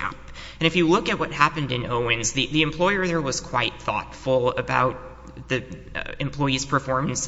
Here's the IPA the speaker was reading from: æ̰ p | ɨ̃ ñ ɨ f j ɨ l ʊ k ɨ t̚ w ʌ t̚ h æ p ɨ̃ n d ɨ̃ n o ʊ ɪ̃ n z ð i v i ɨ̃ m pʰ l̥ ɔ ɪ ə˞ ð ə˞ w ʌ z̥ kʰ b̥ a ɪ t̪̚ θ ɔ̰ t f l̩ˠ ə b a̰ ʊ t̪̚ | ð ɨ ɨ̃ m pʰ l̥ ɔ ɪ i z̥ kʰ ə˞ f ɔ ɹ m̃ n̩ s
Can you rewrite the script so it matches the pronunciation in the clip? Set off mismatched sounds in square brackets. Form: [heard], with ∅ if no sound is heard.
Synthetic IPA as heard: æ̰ p | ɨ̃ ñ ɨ f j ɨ l ʊ k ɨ t̚ w ʌ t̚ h æ p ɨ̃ n d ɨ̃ n o ʊ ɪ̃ n z ð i [ð] i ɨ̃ m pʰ l̥ ɔ ɪ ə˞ ð ə˞ w ʌ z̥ kʰ [w̥] a ɪ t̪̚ θ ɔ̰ t f l̩ˠ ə b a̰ ʊ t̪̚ | ð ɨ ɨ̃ m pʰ l̥ ɔ ɪ i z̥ [pʰ] ə˞ f ɔ ɹ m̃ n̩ s